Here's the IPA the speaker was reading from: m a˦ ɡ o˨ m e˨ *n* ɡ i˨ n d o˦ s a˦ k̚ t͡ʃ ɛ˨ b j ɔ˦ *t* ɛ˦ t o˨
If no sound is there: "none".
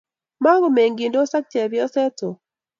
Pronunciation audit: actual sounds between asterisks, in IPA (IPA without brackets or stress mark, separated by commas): ŋ, s